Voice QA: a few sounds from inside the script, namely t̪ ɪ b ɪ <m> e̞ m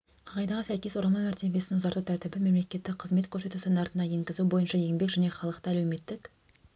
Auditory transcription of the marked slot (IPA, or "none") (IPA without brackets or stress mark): m